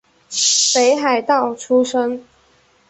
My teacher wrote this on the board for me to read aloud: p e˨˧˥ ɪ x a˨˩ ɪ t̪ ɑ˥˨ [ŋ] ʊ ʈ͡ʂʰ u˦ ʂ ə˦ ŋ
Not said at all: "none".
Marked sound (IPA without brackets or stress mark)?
none